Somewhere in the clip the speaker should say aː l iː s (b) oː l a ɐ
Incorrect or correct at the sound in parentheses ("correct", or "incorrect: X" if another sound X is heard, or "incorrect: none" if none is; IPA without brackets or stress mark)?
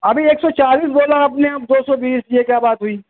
correct